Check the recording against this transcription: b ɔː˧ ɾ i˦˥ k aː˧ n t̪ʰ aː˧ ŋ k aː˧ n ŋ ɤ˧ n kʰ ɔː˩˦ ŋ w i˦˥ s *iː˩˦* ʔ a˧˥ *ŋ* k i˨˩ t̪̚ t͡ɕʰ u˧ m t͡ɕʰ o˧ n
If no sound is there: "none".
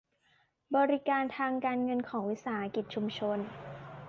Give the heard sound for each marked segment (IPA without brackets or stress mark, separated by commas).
aː˩˦, none